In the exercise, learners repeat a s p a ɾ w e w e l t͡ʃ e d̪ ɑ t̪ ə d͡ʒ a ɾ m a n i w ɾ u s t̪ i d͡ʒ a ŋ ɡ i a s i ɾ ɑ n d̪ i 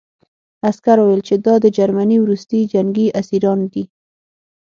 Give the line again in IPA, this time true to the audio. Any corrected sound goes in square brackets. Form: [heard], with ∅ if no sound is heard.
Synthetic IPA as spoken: a s [k] a ɾ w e w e l t͡ʃ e d̪ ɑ [d̪] ə d͡ʒ a ɾ m a n i w ɾ u s t̪ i d͡ʒ a ŋ ɡ i a s i ɾ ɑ n d̪ i